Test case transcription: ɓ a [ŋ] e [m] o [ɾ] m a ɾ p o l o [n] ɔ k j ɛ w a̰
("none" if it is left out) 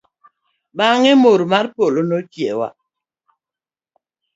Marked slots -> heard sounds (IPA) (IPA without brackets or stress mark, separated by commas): ŋ, m, ɾ, n